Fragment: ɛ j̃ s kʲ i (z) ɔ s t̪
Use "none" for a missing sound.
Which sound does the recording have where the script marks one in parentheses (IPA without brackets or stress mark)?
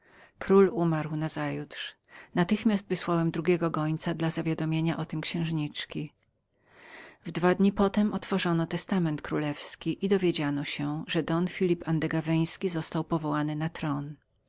z